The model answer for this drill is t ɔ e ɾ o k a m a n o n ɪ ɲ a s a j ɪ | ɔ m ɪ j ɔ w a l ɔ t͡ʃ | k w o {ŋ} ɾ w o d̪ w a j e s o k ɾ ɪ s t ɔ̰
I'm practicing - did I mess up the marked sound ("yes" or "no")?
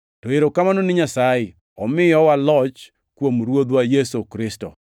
yes